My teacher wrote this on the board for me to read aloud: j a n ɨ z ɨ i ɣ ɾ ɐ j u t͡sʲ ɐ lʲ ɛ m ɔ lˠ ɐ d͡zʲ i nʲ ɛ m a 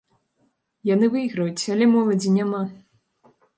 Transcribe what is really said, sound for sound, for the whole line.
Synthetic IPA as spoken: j a n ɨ v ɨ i ɣ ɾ ɐ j u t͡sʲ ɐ lʲ ɛ m ɔ lˠ ɐ d͡zʲ i nʲ a m a